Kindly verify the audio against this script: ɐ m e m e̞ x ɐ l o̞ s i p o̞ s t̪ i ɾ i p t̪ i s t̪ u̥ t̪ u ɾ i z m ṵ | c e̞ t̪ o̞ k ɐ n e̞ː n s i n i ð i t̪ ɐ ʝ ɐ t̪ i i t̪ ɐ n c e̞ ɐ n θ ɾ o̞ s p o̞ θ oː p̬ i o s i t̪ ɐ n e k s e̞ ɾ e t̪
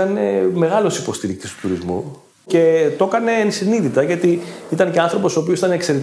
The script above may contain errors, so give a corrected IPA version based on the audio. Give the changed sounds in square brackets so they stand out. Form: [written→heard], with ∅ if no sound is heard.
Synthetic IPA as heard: ɐ [m→n] e m e̞ [x→ɣ] ɐ l o̞ s i p o̞ s t̪ i ɾ i [p→k] t̪ i s t̪ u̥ t̪ u ɾ i z m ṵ | c e̞ t̪ o̞ k ɐ n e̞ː n s i n i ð i t̪ ɐ ʝ ɐ t̪ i i t̪ ɐ n c e̞ ɐ n θ ɾ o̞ [s→∅] p o̞ [θ→s] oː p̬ i o s i t̪ ɐ n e k s e̞ ɾ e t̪